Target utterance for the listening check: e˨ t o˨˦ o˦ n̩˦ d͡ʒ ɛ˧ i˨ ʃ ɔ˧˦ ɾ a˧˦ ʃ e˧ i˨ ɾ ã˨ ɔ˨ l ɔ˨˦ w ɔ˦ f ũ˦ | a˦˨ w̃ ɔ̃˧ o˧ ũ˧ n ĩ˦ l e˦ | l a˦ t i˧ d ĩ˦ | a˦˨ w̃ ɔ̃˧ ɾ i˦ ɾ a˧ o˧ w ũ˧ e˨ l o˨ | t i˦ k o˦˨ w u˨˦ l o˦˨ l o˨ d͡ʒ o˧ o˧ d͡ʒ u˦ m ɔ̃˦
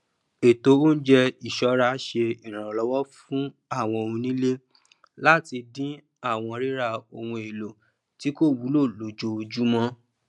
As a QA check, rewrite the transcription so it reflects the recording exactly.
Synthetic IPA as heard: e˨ t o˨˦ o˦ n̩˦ d͡ʒ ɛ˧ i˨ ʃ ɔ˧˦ ɾ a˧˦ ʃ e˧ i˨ ɾ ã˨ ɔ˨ l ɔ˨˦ w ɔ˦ f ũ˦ | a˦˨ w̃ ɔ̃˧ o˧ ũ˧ n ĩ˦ l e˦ | l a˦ t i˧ d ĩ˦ | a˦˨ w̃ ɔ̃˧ ɾ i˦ ɾ a˧ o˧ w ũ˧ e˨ l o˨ | t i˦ k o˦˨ w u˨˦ l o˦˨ l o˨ d͡ʒ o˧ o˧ d͡ʒ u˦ m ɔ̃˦